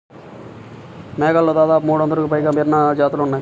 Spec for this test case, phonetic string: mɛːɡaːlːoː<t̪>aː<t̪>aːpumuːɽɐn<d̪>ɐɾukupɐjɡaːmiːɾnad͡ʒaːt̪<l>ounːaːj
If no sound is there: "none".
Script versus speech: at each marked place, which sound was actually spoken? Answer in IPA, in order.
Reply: d̪, d̪, d̪, l

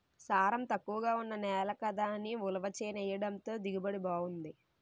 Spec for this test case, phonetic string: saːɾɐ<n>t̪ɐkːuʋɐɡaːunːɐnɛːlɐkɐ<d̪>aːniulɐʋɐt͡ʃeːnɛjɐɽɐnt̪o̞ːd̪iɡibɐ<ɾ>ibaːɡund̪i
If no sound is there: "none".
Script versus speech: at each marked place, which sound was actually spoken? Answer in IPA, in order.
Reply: m, d̪, ɽ

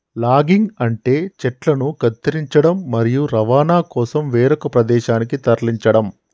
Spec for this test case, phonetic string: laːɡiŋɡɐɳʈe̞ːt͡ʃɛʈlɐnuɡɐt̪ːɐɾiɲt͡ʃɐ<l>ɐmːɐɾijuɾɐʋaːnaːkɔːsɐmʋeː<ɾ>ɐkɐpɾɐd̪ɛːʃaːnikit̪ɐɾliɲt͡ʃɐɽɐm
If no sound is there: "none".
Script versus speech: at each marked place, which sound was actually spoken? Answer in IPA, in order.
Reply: ɽ, ɾ

